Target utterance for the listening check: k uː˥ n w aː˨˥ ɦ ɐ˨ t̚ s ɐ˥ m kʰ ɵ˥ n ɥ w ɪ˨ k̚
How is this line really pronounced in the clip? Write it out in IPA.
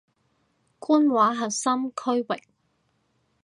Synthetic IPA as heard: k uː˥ n w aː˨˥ ɦ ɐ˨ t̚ s ɐ˥ m kʰ ɵ˥ ɥ w ɪ˨ k̚